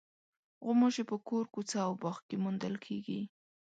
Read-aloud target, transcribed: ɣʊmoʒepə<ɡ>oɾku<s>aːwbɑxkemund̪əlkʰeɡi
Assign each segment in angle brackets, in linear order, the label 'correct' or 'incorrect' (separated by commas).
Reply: incorrect, incorrect